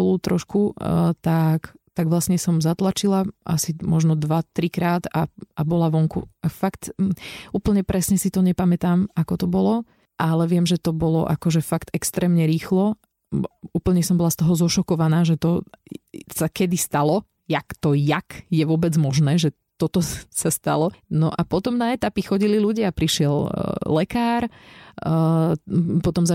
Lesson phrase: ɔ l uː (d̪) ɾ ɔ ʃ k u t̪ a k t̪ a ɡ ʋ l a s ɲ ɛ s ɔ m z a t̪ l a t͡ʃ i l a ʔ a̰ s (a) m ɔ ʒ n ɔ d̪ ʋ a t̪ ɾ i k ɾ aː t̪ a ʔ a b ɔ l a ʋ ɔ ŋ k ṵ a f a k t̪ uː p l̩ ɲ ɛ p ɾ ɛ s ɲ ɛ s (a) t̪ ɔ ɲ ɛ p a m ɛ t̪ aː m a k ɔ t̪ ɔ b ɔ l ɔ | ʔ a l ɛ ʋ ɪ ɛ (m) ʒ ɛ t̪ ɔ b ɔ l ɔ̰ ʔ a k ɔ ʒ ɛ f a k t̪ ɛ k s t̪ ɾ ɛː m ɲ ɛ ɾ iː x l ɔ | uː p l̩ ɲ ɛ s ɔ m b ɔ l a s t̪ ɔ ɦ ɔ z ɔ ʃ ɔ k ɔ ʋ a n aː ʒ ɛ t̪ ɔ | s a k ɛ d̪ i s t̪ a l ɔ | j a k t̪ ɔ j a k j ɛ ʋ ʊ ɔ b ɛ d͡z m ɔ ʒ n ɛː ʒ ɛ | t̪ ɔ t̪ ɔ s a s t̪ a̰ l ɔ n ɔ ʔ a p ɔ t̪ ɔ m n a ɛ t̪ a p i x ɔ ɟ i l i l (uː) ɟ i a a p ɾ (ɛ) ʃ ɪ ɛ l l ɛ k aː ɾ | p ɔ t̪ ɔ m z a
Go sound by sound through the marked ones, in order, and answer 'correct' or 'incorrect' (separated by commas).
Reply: incorrect, incorrect, incorrect, correct, incorrect, incorrect